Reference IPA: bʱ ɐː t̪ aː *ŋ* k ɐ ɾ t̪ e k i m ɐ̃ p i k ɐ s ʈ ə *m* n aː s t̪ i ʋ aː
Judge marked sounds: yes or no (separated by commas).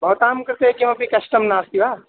no, yes